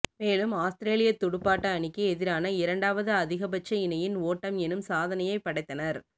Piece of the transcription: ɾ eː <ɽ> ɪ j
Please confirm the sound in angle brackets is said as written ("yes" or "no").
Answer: no